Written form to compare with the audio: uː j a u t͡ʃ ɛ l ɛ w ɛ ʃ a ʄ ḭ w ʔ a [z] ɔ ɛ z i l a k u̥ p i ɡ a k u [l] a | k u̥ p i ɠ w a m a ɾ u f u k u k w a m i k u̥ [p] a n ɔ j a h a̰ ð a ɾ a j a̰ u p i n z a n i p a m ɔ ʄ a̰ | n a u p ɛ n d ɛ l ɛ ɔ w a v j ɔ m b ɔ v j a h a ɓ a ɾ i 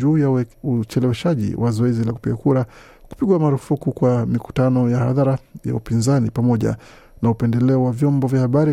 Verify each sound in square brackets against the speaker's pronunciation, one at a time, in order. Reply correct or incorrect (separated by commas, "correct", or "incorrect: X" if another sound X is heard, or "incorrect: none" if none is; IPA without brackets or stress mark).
correct, incorrect: ɾ, incorrect: t